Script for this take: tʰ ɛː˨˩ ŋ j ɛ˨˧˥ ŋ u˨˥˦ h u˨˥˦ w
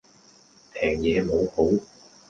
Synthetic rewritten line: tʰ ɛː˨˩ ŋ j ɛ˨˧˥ m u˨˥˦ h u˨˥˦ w